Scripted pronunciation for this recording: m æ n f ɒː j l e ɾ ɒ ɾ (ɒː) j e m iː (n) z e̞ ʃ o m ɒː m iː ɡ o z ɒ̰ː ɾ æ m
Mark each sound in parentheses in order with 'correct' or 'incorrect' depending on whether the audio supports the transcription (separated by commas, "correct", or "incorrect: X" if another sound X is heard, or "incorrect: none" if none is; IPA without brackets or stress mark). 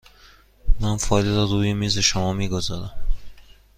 incorrect: uː, incorrect: none